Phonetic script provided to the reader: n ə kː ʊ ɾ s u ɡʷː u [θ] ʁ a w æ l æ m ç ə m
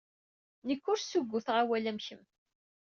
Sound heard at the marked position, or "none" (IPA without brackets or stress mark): θ